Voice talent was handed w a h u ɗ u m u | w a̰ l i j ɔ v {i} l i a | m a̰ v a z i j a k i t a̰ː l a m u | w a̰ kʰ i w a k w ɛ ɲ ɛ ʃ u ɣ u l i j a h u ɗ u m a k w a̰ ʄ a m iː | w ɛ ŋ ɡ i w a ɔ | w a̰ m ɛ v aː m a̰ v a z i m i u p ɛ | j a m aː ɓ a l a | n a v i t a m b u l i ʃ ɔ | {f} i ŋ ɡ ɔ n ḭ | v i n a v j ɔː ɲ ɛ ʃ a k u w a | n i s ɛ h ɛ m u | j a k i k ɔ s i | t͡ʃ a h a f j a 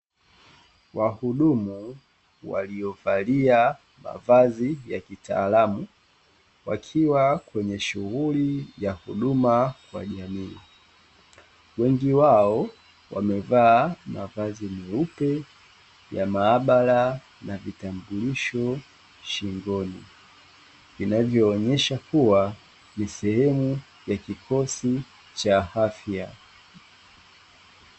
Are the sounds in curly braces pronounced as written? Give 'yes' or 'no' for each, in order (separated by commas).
no, no